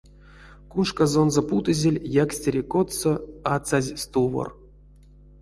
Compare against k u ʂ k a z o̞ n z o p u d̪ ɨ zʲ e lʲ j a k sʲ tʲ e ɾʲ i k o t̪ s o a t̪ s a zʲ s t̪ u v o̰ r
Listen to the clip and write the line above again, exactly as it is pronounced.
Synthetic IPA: k u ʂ k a z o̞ n z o p u t̪ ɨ zʲ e lʲ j a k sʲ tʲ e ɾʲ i k o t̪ s o a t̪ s a zʲ s t̪ u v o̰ r